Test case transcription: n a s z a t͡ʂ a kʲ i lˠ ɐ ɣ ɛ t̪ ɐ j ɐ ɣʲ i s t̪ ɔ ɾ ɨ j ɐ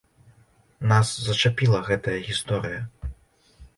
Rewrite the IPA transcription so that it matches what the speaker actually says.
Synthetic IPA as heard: n a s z ɐ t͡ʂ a pʲ i lˠ ɐ ɣ ɛ t̪ ɐ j ɐ ɣʲ i s t̪ ɔ ɾ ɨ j ɐ